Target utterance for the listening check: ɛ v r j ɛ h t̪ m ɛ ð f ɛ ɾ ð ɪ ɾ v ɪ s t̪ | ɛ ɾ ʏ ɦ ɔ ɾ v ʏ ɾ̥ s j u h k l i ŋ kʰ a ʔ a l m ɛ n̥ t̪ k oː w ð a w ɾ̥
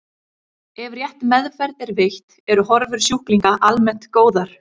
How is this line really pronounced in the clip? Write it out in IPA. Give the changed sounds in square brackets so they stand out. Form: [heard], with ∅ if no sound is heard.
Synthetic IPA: ɛ v r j ɛ h t̪ m ɛ ð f ɛ ɾ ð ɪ ɾ v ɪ [h] t̪ | ɛ ɾ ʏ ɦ ɔ ɾ v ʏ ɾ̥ s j u h k l i ŋ [k] a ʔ a l m ɛ n̥ t̪ k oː w ð a [∅] ɾ̥